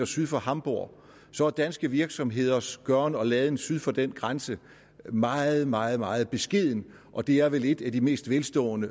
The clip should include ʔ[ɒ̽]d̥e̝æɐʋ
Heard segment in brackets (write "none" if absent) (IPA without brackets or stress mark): ɒ̽